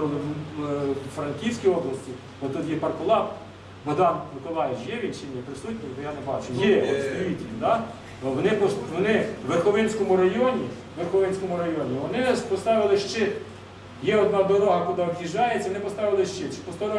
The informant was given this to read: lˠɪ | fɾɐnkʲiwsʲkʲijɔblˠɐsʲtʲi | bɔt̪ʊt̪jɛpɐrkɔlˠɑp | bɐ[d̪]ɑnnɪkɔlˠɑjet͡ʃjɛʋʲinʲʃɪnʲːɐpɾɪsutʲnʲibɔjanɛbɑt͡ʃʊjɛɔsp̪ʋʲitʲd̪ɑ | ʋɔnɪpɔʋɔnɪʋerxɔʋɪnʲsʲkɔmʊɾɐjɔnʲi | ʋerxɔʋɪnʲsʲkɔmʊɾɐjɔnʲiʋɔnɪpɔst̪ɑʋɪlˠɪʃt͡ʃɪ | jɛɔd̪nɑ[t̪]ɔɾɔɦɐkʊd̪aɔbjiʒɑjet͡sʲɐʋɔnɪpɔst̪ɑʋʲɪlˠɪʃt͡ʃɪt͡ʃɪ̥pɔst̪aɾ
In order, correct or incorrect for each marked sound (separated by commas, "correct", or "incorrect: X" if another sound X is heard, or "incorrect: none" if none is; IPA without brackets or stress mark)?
correct, incorrect: d̪